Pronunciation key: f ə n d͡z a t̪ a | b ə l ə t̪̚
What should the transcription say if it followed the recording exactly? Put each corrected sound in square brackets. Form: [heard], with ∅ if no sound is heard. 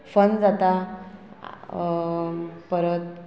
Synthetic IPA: f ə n d͡z a t̪ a | [p] ə [ɾ] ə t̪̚